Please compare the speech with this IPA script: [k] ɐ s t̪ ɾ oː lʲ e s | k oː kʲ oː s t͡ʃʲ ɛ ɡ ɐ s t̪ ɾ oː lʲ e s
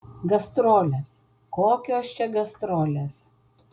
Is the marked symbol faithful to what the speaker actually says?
no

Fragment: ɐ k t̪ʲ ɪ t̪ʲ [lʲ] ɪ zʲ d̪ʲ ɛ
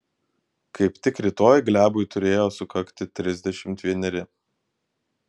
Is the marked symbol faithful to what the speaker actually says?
no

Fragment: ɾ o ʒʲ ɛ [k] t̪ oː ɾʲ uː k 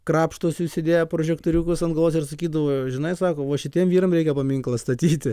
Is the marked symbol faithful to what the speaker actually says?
yes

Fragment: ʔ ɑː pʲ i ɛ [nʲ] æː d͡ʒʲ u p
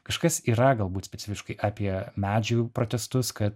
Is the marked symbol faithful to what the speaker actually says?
no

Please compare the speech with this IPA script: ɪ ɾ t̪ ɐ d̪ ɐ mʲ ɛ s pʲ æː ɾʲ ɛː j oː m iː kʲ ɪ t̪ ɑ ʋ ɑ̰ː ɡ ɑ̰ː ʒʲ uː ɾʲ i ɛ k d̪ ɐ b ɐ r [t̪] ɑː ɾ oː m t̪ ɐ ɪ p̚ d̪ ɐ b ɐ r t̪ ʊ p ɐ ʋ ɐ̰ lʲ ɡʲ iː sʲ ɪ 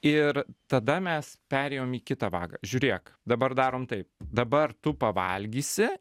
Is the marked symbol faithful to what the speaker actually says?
no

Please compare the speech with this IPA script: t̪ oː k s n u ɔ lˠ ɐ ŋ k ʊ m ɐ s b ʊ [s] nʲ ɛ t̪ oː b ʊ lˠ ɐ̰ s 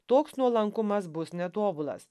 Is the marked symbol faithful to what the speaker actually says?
yes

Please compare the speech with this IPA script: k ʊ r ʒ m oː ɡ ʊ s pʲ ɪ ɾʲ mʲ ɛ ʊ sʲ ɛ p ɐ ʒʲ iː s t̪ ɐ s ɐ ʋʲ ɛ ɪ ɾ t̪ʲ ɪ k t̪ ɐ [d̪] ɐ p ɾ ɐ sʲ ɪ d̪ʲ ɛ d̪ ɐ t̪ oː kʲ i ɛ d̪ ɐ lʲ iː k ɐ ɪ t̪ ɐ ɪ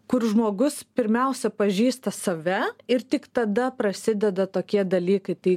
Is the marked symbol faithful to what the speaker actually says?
yes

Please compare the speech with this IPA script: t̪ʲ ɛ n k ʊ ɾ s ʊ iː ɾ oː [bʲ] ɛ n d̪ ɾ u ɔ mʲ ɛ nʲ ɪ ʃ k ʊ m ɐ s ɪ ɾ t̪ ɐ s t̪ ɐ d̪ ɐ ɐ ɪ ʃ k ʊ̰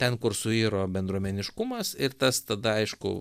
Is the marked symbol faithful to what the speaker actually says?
yes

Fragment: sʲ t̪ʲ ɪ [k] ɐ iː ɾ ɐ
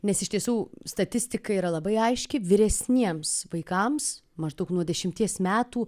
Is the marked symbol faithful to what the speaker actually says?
yes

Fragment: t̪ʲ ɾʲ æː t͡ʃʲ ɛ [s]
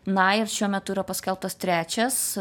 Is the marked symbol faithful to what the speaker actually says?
yes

